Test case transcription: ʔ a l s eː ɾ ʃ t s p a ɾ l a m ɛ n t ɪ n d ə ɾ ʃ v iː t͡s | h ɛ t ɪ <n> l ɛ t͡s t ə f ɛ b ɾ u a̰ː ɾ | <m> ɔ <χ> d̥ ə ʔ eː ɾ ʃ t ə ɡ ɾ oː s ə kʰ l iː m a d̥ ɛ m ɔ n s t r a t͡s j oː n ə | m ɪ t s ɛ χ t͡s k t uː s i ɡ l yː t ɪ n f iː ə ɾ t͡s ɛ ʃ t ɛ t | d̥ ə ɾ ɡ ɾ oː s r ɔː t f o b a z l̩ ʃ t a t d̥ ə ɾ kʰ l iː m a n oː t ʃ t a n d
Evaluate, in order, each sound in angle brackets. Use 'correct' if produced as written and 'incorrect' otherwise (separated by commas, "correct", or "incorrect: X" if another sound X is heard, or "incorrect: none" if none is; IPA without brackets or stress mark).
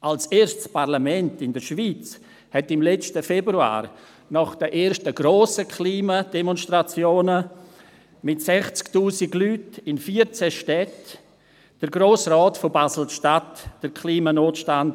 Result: incorrect: m, incorrect: n, correct